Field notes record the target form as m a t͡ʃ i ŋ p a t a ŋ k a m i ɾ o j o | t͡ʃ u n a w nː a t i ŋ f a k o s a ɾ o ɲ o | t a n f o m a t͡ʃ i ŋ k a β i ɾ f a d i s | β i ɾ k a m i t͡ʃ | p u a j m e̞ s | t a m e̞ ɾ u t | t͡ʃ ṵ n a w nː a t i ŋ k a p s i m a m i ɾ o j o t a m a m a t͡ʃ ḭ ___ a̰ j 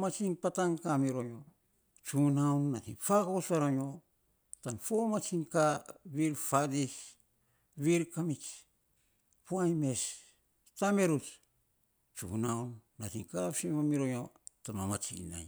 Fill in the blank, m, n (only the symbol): n